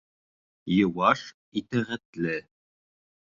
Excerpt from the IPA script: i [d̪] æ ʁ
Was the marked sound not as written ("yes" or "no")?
yes